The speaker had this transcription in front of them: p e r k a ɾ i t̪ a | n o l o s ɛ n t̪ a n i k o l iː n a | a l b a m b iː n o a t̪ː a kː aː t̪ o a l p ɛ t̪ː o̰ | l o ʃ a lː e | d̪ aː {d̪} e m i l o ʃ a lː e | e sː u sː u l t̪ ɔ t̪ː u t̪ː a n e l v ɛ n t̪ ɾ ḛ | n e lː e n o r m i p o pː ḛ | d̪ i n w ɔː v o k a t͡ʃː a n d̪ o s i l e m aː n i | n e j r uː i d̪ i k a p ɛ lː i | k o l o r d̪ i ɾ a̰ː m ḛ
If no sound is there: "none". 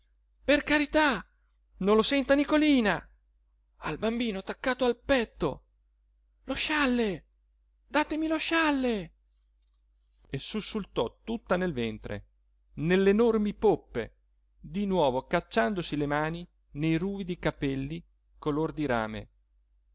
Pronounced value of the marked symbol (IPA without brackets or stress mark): t̪